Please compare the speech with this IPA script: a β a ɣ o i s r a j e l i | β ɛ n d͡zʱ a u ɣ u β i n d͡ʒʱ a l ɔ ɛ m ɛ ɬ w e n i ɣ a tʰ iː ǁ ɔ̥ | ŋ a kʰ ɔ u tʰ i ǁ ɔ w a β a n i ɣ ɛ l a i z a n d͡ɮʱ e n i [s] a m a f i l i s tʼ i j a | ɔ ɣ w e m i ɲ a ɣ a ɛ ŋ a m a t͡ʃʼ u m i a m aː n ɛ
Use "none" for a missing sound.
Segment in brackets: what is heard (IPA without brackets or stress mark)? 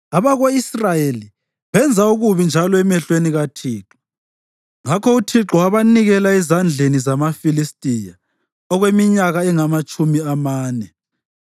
z